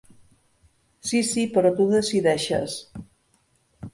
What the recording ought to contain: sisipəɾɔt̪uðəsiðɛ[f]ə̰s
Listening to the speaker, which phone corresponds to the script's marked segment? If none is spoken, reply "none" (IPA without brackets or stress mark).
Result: ʃ